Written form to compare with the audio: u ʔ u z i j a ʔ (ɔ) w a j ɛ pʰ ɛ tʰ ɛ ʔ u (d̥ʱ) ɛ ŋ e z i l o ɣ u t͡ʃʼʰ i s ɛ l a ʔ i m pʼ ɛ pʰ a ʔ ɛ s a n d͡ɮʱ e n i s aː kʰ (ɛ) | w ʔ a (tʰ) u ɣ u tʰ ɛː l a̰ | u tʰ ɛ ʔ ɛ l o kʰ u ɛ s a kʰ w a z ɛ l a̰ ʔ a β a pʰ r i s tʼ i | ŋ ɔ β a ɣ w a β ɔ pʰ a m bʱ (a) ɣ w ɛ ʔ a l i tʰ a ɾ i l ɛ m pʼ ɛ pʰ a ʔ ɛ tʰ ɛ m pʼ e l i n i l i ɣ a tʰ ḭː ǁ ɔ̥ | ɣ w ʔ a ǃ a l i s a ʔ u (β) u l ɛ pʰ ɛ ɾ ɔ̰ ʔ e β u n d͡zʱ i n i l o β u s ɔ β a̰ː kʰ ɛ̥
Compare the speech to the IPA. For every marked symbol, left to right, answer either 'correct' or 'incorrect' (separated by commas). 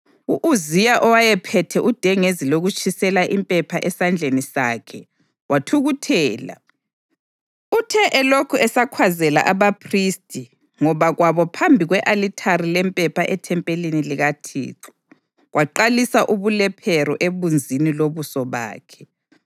correct, correct, correct, correct, incorrect, correct